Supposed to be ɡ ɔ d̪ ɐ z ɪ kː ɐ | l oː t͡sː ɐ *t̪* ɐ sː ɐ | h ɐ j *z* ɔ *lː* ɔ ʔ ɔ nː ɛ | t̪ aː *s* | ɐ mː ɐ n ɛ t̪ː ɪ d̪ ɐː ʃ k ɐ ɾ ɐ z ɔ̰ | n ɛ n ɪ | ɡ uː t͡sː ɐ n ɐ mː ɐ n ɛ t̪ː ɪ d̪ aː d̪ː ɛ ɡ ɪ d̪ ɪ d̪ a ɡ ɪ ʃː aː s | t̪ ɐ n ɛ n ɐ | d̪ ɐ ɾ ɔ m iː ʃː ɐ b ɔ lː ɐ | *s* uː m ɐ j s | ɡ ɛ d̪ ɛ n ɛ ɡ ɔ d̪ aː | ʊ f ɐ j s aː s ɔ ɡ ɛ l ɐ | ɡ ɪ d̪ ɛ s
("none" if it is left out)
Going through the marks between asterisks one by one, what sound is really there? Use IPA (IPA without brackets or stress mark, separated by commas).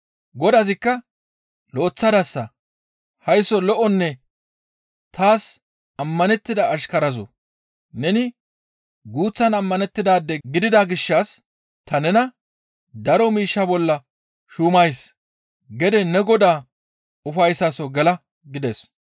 d̪, s, l, s, ʃ